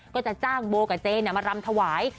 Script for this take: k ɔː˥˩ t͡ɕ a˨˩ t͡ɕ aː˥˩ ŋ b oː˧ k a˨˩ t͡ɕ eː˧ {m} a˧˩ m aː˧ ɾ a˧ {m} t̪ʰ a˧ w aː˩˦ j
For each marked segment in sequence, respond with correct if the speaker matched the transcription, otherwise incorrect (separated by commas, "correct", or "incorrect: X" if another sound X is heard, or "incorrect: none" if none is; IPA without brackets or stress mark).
incorrect: n, correct